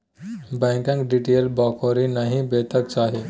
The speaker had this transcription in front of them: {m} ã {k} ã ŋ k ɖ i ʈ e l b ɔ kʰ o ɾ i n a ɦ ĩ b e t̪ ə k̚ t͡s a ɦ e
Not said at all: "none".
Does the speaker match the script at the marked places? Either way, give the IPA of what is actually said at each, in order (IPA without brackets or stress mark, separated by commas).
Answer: b, k